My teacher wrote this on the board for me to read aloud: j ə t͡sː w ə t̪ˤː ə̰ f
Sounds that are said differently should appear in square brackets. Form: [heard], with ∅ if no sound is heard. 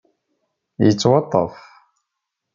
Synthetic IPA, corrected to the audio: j ə t͡sː w [ɑ] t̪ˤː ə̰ f